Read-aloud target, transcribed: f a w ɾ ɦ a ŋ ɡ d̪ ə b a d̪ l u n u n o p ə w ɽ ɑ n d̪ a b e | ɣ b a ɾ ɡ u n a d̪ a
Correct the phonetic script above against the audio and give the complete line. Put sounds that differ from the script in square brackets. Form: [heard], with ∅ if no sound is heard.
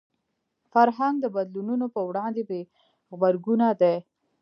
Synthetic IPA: f a [∅] ɾ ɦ a ŋ ɡ d̪ ə b a d̪ l u n u n o p ə w ɽ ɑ n d̪ [e] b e | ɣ b a ɾ ɡ u n a d̪ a